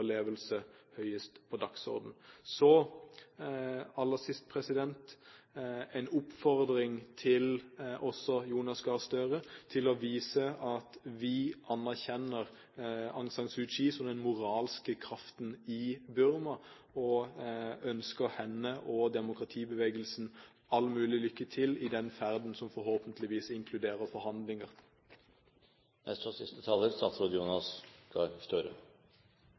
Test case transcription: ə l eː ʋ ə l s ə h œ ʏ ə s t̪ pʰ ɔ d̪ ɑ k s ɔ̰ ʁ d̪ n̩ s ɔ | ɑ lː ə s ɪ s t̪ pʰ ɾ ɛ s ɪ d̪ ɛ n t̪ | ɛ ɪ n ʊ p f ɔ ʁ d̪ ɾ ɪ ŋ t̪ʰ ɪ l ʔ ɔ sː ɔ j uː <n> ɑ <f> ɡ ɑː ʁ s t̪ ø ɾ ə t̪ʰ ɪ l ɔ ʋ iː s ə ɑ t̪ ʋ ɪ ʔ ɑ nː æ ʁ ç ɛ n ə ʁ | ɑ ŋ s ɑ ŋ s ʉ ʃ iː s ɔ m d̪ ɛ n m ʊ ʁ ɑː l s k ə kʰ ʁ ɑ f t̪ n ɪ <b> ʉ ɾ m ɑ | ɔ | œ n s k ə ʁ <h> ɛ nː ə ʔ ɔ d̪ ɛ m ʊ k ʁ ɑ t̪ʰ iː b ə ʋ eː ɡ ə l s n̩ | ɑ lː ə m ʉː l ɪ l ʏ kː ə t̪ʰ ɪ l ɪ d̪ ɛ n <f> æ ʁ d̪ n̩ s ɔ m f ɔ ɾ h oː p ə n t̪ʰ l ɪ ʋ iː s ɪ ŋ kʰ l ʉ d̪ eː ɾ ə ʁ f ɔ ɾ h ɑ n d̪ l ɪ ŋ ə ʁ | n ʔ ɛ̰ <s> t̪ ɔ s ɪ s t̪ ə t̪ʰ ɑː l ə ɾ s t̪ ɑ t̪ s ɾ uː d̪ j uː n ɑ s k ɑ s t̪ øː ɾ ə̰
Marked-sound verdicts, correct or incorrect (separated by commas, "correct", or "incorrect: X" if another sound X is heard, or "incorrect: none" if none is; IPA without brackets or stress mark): correct, incorrect: s, correct, correct, correct, correct